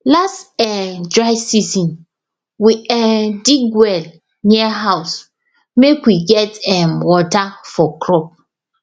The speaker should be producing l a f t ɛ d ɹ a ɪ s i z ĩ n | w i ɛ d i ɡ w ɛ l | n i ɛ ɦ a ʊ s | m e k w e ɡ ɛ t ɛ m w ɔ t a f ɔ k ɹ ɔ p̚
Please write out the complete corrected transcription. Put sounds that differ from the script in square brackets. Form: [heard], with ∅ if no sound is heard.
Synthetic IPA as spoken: l a [s] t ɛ d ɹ a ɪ s i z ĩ n | w i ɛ d i ɡ w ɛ l | n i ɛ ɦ a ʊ s | m e k w [i] ɡ ɛ t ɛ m w ɔ t a f ɔ k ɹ ɔ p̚